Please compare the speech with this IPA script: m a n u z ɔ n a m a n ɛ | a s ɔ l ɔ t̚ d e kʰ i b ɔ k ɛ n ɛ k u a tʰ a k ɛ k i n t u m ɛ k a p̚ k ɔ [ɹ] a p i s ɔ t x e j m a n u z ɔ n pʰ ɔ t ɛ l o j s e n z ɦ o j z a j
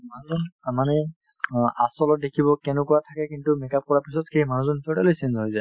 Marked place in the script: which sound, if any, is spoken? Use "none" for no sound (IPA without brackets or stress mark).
ɹ